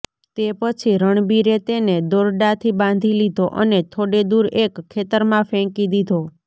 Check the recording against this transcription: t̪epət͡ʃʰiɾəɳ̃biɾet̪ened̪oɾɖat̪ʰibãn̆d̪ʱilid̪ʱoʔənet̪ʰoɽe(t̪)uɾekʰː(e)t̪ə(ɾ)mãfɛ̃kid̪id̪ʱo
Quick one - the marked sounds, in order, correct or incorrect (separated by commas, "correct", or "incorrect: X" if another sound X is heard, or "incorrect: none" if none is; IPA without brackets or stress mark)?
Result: incorrect: d̪, correct, correct